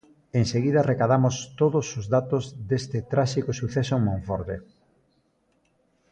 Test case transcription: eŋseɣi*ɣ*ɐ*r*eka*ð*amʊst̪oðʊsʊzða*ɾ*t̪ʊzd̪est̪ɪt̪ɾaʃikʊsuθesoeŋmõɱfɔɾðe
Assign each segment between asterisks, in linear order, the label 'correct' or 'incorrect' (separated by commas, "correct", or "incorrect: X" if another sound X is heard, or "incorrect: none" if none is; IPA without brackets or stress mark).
incorrect: ð, correct, correct, incorrect: none